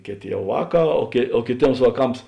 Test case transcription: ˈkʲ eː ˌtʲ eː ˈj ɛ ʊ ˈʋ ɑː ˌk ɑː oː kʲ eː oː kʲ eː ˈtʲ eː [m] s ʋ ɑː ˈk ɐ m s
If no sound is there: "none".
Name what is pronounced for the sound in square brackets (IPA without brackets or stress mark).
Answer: m